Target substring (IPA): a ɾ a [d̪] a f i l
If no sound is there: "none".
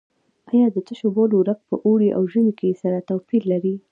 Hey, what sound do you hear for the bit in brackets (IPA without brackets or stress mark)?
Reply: t̪